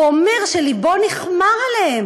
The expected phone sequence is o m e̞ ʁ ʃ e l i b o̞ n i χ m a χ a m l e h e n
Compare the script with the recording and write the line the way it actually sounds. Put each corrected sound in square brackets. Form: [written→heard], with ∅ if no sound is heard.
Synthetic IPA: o m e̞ ʁ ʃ e l i b o̞ n i χ m a [χ→ʁ] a [m→∅] l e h e [n→m]